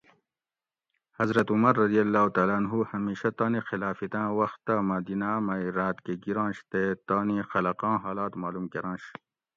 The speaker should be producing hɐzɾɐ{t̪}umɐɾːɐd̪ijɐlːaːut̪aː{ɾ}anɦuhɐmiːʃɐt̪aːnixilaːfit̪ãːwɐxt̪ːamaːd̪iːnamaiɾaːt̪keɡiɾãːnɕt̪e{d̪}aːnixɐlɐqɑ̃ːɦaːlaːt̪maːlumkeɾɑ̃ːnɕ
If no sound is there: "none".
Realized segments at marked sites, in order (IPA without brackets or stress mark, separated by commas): t̪, l, t̪